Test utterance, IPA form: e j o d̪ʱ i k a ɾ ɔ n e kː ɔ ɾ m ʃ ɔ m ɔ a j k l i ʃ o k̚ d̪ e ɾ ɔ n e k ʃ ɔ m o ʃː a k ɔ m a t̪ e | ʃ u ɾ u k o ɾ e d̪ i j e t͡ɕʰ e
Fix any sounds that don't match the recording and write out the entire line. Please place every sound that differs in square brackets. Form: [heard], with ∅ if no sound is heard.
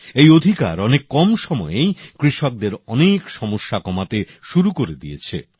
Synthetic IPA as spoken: e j o d̪ʱ i k a ɾ ɔ n e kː ɔ [∅] m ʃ ɔ m ɔ [e] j k [ɾ] i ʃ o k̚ d̪ e ɾ ɔ n e k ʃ ɔ m o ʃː a k ɔ m a t̪ e | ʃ u ɾ u k o ɾ e d̪ i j e t͡ɕʰ e

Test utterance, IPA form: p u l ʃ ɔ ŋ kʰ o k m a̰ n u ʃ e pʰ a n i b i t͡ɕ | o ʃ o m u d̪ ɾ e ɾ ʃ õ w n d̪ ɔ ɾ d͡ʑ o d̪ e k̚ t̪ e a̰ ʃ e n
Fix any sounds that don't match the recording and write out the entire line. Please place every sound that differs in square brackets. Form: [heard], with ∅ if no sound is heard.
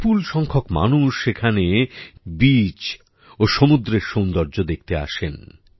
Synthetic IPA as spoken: p u l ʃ ɔ ŋ kʰ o k m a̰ n u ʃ e [kʰ] a n [e] b i t͡ɕ | o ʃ o m u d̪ ɾ e ɾ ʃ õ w n d̪ ɔ ɾ d͡ʑ o d̪ e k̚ t̪ e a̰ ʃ e n

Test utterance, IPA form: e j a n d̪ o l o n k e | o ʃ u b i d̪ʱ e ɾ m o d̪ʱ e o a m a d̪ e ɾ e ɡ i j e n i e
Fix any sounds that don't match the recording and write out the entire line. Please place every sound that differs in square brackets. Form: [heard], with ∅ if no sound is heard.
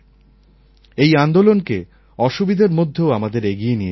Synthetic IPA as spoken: e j a n d̪ o l o n k e | [ɔ] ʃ u b i d̪ʱ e ɾ m o [d̪ʱː] e o a m a d̪ e ɾ e ɡ i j e n i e

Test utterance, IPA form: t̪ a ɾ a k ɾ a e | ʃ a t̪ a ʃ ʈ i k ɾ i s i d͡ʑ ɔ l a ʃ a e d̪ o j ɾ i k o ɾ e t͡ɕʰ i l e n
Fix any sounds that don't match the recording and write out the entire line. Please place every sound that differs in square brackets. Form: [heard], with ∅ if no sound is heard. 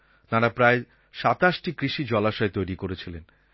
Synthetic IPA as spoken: t̪ a ɾ a [p] ɾ a e | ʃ a t̪ a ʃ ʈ i k ɾ i [ʃ] i d͡ʑ ɔ l a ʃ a e [t̪] o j ɾ i k o ɾ e t͡ɕʰ i l e n

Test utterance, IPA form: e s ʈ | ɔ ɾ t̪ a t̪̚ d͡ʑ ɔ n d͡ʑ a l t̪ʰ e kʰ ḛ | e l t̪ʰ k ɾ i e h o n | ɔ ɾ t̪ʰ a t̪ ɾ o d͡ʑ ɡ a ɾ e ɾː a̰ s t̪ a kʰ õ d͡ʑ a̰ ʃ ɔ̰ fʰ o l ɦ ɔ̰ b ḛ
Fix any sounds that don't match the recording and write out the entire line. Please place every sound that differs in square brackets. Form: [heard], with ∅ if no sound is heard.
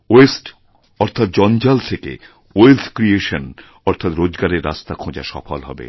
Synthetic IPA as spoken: e s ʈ | ɔ ɾ [t̪ʰ] a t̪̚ d͡ʑ ɔ n d͡ʑ a l t̪ʰ e [k] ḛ | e l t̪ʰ k ɾ i e [ʃ] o n | ɔ ɾ t̪ʰ a t̪ ɾ o d͡ʑ ɡ a ɾ e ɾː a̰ s t̪ a kʰ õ d͡ʑ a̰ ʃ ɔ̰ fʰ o l ɦ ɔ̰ b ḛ

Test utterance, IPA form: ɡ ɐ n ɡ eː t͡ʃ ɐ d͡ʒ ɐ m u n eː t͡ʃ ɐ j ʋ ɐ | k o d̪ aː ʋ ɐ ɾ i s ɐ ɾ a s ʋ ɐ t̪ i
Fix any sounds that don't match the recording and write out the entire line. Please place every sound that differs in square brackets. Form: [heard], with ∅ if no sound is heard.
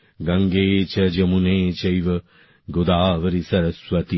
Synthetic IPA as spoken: ɡ ɐ [ŋ] ɡ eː t͡ʃ ɐ d͡ʒ ɐ m u n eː t͡ʃ ɐ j ʋ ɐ | [ɡ] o d̪ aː ʋ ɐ ɾ i s ɐ ɾ [ɐ] s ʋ ɐ t̪ i

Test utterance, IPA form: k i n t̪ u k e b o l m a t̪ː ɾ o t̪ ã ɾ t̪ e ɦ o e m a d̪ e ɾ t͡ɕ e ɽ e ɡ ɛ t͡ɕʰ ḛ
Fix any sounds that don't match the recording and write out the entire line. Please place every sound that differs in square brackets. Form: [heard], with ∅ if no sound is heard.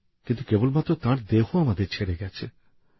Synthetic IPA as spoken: k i n t̪ u k e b o l m a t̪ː ɾ o t̪ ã ɾ [d̪] e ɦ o [a] m a d̪ e ɾ [t͡ɕʰ] e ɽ e ɡ ɛ t͡ɕʰ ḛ

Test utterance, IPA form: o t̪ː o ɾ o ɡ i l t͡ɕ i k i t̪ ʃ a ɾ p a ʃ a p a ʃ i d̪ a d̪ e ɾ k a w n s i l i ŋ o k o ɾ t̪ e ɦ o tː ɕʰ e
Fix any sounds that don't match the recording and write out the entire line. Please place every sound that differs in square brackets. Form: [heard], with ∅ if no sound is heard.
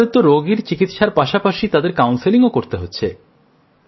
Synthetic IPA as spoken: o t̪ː o ɾ o ɡ i [ɾ] t͡ɕ i k i t̪ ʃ a ɾ p a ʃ a p a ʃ i [t̪] a d̪ e ɾ k a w n s i l i ŋ o k o ɾ t̪ e ɦ o tː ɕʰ e

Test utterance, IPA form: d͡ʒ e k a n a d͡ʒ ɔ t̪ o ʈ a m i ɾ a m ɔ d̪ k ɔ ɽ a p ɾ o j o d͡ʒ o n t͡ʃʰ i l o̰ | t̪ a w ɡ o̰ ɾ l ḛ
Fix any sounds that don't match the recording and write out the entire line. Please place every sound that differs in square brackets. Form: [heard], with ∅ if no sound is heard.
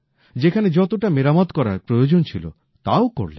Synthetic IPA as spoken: d͡ʒ e [kʰ] a n [e] d͡ʒ ɔ t̪ o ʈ a m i ɾ a m ɔ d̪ k ɔ [ɾ] a p ɾ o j o d͡ʒ o n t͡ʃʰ i l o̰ | t̪ a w [k] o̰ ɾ l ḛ

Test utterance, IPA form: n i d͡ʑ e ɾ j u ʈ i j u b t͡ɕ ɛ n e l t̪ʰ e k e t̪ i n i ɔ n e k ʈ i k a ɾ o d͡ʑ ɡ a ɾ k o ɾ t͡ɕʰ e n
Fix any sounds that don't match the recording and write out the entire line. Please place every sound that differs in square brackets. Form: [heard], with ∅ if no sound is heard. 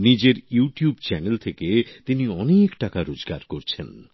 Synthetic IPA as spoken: n i d͡ʑ e ɾ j u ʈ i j u b t͡ɕ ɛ n e l t̪ʰ e k e t̪ i n i ɔ n e k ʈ [a] k a ɾ o d͡ʑ ɡ a ɾ k o ɾ t͡ɕʰ e n

